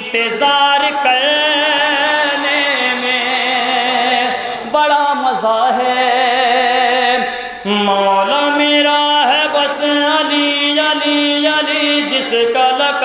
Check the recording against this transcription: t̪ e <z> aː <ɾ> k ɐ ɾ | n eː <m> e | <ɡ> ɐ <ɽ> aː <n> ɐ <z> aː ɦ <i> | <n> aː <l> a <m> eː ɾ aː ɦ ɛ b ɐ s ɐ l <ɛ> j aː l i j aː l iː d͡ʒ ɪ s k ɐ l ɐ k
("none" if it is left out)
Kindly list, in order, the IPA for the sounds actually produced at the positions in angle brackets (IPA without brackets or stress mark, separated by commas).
z, ɾ, m, b, ɽ, m, z, ɛ, m, l, m, i